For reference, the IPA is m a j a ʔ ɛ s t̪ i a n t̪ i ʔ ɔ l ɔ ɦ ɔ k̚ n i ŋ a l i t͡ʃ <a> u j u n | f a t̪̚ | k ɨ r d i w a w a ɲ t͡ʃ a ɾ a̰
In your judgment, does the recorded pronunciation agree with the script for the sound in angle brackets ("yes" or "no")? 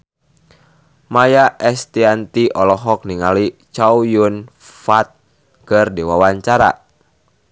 yes